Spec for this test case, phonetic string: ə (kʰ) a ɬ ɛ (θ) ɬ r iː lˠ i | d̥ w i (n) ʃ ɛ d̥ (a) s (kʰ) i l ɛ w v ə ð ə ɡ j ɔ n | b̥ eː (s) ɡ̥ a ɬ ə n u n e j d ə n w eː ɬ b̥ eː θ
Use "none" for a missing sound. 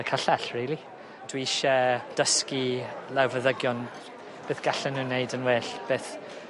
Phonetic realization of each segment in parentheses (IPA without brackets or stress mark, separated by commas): kʰ, none, none, ə, k, θ